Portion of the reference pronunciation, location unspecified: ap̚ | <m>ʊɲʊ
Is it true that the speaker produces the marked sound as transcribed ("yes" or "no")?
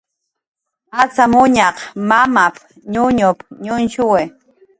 no